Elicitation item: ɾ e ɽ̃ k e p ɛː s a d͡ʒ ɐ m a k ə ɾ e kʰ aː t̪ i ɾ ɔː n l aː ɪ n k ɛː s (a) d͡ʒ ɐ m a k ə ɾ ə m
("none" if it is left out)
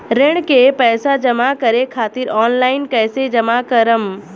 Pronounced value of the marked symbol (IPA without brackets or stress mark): e